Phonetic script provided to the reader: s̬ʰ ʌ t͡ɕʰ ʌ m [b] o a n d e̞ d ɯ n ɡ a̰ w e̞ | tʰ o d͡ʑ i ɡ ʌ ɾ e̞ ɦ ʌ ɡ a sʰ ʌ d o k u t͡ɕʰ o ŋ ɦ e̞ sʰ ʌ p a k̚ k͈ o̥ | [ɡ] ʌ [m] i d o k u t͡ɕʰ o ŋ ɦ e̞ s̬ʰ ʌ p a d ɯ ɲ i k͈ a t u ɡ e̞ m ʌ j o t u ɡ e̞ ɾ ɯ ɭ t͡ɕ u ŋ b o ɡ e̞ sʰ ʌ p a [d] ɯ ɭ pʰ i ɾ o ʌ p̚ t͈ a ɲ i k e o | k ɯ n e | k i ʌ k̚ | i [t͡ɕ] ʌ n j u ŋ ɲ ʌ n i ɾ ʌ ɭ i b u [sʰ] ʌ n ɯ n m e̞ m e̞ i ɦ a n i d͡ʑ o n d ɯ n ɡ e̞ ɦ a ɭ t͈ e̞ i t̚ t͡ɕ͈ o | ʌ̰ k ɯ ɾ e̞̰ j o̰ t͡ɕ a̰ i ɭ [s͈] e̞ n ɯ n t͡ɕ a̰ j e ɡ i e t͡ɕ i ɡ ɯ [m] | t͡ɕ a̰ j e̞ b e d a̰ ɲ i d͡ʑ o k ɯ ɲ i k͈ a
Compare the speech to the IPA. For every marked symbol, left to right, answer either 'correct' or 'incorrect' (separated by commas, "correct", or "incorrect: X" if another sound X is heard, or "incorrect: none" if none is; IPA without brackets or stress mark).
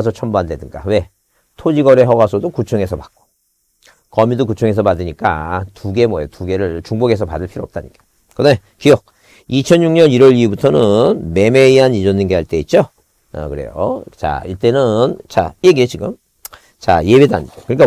correct, incorrect: k, correct, correct, incorrect: t͡ɕʰ, incorrect: tʰ, incorrect: t͈, correct